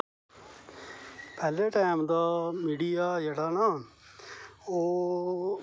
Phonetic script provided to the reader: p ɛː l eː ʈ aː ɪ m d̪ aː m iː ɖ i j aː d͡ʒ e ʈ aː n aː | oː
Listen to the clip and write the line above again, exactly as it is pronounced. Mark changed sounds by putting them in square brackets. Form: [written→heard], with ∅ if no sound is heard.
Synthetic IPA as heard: p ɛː l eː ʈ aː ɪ m d̪ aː m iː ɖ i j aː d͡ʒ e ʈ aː n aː | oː